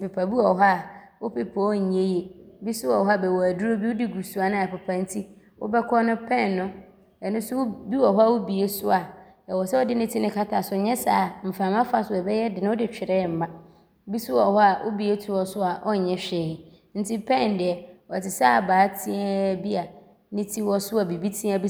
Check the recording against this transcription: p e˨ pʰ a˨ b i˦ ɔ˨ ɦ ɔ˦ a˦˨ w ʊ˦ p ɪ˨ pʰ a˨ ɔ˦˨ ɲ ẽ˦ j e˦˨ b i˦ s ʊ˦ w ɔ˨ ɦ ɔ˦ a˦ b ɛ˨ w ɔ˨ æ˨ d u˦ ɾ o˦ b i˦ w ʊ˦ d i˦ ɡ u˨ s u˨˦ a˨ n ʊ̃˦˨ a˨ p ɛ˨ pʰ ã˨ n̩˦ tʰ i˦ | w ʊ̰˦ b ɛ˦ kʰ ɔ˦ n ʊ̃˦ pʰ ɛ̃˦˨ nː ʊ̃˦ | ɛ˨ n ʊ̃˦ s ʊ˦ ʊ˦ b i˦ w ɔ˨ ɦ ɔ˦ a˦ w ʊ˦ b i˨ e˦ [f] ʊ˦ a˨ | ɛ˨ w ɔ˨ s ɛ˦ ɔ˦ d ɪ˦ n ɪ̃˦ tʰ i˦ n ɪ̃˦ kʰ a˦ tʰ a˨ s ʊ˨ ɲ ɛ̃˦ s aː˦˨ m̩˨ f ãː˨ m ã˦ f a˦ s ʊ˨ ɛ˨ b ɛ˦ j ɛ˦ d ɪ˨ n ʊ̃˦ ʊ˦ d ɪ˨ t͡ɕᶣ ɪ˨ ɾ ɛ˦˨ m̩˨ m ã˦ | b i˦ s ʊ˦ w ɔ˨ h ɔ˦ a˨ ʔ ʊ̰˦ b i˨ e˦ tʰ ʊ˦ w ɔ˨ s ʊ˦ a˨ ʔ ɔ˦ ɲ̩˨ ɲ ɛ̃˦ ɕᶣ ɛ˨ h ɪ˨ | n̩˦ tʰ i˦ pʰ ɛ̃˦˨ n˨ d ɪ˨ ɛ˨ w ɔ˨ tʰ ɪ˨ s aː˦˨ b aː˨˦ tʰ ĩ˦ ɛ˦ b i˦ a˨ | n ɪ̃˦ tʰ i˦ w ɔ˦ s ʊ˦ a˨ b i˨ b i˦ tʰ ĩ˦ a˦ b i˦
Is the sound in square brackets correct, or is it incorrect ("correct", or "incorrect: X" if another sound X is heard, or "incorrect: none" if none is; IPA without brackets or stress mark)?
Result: incorrect: s